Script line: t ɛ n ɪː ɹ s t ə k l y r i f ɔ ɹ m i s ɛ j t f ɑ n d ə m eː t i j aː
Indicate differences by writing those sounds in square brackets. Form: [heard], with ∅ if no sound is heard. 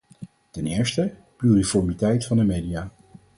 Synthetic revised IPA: t ɛ n ɪː ɹ s t ə [p] l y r i f ɔ ɹ m i [t] ɛ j t f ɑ n d ə m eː [d] i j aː

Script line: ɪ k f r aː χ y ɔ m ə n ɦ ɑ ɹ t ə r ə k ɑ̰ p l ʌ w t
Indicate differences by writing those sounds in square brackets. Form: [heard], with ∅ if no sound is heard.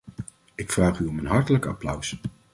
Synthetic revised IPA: ɪ k f r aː χ y ɔ m ə n ɦ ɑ ɹ t ə [l] ə k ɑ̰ p l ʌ w [s]

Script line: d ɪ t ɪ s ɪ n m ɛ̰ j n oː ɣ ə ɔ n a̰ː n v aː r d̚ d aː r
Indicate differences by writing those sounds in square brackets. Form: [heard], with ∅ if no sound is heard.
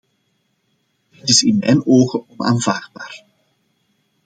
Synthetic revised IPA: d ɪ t ɪ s ɪ n m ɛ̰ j n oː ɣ ə ɔ n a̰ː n v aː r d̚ [b] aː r

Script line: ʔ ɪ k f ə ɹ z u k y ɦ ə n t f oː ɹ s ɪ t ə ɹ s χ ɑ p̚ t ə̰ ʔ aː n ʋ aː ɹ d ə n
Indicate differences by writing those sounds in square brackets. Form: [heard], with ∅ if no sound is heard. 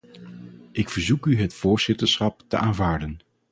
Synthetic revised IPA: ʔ ɪ k f ə ɹ z u k y ɦ ə [∅] t f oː ɹ [z] ɪ t ə ɹ s χ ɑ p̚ t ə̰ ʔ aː n [v] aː ɹ d ə n

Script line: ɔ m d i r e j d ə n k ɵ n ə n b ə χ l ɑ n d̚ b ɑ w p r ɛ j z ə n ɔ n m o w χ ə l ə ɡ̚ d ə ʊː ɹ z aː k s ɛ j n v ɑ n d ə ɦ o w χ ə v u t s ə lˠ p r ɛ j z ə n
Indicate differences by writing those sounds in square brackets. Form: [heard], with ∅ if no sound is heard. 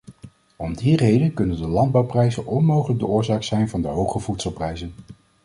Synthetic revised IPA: ɔ m d i r e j d ə n k ɵ n ə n [d] ə [∅] l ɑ n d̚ b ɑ w p r ɛ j z ə n ɔ n m o w χ ə l ə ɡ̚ d ə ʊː ɹ z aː k s ɛ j n v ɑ n d ə ɦ o w χ ə v u t s ə lˠ p r ɛ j z ə n

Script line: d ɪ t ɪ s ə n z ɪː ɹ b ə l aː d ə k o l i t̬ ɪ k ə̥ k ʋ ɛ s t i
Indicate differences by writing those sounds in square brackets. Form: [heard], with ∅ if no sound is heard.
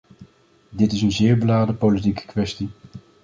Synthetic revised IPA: d ɪ t ɪ s ə n z ɪː ɹ b ə l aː d ə [p] o l i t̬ [i] k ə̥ k ʋ ɛ s t i

